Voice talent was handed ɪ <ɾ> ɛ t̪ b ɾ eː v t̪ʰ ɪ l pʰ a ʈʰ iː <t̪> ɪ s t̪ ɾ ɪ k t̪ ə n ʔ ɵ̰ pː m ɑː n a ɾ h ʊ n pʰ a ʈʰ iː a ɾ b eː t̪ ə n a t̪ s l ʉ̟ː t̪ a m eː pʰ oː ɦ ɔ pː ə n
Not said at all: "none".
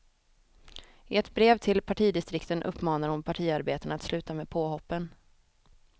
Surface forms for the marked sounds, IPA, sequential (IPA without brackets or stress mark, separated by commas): none, d̪